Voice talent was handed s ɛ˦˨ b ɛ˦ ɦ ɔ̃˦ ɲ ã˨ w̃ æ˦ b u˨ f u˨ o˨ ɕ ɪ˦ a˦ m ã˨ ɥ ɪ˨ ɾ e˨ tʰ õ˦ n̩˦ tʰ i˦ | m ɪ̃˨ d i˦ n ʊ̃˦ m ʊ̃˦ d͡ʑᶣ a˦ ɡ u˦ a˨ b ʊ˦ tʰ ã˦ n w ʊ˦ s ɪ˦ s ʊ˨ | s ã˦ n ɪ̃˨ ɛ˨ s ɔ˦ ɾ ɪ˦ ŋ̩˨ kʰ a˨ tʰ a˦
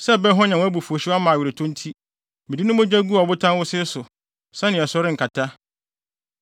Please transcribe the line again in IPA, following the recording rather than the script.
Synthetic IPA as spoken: s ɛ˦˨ b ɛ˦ ɦ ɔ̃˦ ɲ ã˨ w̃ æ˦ b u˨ f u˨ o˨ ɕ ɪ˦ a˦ m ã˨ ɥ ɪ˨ ɾ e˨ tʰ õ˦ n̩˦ tʰ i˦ | m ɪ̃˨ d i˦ n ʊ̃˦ m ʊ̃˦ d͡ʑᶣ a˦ ɡ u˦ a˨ b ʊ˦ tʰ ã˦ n w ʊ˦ s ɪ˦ s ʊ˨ | s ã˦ n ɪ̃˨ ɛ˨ s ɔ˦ ɾ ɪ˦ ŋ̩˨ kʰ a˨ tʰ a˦

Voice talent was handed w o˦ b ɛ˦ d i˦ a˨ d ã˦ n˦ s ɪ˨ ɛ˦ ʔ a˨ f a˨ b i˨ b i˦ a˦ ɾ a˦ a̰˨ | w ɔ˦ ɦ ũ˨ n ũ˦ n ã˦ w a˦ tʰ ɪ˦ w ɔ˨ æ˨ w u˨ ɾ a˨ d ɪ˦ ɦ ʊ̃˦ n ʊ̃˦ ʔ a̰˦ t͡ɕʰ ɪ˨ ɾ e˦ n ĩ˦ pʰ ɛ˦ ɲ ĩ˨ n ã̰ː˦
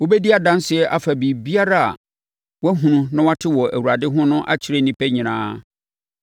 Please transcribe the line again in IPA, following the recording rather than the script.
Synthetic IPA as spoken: w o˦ b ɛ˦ d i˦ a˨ d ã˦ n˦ s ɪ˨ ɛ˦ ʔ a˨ f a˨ b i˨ b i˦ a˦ ɾ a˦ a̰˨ | w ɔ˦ ɦ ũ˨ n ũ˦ n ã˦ w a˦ tʰ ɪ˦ w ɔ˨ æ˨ w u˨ ɾ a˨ d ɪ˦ ɦ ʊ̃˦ n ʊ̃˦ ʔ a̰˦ t͡ɕʰ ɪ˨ ɾ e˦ n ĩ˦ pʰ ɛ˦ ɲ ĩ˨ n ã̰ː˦

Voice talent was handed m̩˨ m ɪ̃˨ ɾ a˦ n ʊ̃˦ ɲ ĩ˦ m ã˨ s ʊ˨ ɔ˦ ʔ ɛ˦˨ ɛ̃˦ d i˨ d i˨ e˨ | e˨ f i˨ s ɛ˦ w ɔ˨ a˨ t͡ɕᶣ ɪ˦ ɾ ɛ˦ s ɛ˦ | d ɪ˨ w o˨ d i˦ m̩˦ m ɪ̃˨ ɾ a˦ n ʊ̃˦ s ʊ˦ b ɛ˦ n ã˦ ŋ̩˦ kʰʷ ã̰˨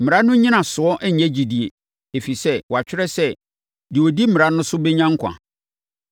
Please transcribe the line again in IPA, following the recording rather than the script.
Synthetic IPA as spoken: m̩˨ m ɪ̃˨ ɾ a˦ n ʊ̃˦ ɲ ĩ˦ n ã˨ s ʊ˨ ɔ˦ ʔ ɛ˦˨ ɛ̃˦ d͡ʑ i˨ d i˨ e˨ | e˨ f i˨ s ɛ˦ w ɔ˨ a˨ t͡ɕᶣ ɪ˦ ɾ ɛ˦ s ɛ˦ | d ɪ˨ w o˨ d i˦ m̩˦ m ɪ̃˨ ɾ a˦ n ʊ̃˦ s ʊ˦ b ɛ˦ ɲ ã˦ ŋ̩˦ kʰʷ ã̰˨

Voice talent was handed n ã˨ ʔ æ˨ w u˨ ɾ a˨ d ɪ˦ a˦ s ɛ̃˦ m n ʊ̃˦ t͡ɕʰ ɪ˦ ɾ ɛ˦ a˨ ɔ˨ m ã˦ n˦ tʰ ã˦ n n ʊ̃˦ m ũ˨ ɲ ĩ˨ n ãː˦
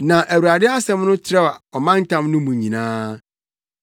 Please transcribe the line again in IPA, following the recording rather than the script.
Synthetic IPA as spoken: n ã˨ ʔ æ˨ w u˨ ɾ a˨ d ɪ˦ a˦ s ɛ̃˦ m n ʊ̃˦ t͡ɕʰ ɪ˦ ɾ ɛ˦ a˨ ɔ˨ m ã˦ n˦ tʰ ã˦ m n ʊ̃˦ m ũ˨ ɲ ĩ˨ n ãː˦

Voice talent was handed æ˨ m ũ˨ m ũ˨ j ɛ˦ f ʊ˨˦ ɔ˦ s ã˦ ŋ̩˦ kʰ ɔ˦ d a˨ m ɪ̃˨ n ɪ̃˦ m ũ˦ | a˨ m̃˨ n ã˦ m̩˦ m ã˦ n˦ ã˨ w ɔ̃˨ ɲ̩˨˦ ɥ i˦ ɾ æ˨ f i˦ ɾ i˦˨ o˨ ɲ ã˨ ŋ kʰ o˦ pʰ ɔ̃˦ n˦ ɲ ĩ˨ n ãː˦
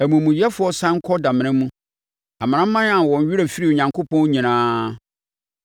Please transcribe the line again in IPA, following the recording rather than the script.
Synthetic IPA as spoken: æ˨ m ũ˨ m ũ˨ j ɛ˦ f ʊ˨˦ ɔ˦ s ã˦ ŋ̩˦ kʰ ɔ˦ d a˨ m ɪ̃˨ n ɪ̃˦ m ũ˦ | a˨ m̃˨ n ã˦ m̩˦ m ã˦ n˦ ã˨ w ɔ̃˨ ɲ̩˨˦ ɥ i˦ ɾ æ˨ f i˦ ɾ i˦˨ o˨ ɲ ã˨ ŋ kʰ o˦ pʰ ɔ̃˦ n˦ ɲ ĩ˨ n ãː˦

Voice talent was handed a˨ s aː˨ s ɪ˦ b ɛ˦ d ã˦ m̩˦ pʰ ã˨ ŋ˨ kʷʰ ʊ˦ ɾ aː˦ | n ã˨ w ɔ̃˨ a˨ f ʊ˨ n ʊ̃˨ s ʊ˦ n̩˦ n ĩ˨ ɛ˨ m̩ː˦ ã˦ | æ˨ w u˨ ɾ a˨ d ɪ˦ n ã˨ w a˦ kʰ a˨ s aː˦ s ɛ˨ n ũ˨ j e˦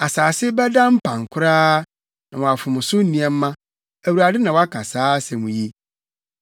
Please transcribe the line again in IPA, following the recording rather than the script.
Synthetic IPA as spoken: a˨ s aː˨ s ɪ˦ b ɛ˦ d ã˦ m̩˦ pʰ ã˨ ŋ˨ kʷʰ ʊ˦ ɾ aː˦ | n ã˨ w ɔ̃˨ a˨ f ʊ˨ m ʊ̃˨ s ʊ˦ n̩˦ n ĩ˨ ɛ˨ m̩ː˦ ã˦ | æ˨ w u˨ ɾ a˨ d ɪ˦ n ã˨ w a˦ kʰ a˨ s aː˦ s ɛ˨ m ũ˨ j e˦

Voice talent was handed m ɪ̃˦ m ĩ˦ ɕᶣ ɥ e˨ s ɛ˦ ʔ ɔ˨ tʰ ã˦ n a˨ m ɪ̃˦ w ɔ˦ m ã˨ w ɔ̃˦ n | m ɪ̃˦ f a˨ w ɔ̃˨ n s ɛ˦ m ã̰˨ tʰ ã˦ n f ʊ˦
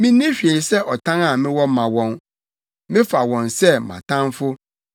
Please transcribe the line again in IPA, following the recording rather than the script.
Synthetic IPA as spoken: m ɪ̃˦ n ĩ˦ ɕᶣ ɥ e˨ s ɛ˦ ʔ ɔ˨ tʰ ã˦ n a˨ m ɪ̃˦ w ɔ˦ m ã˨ w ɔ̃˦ n | m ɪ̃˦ f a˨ w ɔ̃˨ n s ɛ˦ m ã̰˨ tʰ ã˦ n f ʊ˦

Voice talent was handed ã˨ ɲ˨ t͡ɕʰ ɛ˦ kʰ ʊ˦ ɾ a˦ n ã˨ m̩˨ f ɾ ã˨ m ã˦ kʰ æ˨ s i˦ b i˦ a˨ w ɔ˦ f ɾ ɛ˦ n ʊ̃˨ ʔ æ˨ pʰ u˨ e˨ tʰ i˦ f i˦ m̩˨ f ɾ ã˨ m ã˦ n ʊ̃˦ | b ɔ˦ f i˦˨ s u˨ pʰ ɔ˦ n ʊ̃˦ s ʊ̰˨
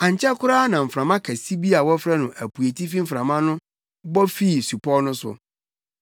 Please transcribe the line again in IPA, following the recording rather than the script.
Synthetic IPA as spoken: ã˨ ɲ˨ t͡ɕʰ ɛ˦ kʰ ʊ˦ ɾ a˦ n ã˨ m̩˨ f ɾ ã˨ m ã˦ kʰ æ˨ s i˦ b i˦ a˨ w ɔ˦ f ɾ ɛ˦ n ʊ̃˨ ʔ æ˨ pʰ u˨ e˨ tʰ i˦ f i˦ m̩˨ f ɾ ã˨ m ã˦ n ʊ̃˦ | b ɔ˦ f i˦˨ s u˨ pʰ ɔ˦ n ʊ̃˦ s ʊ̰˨

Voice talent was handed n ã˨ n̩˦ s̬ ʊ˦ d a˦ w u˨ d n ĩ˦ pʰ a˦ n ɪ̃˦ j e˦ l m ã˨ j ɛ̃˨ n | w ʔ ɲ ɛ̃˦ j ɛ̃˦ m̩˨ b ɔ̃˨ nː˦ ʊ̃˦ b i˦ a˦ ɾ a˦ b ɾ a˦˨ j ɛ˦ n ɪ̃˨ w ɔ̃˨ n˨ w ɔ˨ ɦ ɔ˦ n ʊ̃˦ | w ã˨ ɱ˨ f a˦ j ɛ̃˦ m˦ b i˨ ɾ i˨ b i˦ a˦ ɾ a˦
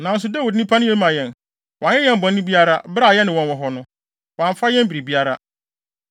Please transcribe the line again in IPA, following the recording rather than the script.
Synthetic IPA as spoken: n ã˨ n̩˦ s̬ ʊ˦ d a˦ w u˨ d n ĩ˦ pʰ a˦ n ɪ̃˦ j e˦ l m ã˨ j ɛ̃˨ n | w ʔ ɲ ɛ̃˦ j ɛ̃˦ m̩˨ b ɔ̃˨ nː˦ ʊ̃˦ b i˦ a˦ ɾ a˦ b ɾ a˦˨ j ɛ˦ n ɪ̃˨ w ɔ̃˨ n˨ w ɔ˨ ɦ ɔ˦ n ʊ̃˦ | w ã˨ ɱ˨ f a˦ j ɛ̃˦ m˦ b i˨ ɾ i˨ b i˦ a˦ ɾ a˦

